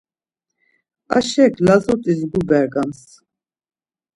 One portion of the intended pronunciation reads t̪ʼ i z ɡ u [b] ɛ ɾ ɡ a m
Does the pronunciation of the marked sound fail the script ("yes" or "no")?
no